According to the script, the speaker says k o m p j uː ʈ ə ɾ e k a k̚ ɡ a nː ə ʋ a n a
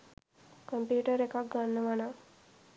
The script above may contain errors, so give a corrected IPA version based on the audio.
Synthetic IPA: k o m p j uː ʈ ə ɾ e k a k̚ ɡ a nː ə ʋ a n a